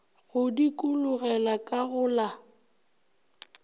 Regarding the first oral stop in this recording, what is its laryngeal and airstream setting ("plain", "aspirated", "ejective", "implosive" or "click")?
plain